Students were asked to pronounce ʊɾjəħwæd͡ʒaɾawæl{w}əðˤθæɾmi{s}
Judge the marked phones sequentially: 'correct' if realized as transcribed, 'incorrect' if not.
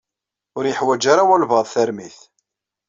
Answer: incorrect, incorrect

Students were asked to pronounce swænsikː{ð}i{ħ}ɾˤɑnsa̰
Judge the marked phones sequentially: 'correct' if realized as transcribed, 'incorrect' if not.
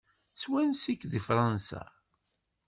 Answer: correct, incorrect

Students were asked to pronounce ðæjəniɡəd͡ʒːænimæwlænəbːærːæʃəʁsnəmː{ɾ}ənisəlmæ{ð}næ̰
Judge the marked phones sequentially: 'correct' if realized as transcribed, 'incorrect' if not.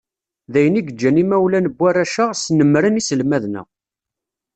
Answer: correct, correct

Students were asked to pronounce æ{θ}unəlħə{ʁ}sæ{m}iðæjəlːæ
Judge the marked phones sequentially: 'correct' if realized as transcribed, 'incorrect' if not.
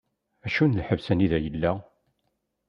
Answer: incorrect, incorrect, incorrect

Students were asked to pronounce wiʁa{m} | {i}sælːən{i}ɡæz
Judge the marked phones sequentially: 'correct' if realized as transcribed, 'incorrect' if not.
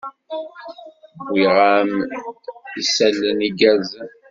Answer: correct, correct, correct

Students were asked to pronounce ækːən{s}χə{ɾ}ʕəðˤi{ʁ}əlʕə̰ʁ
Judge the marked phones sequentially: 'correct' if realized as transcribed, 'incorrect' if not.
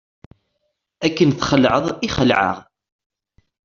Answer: incorrect, incorrect, incorrect

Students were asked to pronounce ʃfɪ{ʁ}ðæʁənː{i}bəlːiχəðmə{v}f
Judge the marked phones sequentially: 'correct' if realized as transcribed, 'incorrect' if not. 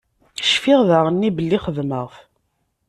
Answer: correct, correct, incorrect

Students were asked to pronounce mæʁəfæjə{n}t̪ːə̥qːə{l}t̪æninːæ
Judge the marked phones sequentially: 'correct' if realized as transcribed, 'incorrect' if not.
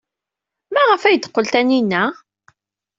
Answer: incorrect, correct

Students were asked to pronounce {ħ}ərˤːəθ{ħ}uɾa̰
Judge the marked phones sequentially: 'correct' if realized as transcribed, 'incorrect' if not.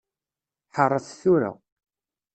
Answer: correct, incorrect

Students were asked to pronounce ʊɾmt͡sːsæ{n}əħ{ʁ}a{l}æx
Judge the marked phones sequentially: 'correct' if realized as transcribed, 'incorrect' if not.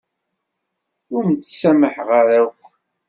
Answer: incorrect, correct, incorrect

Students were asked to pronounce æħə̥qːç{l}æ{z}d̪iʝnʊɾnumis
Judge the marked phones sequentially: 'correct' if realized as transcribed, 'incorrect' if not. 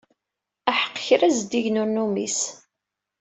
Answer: incorrect, correct

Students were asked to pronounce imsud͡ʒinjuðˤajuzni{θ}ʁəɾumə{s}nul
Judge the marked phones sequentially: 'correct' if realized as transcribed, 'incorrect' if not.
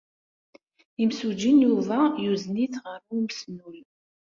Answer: correct, correct

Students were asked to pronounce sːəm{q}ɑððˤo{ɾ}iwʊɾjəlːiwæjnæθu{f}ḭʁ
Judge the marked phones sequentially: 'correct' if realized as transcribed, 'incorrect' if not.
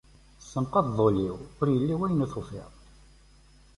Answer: correct, incorrect, correct

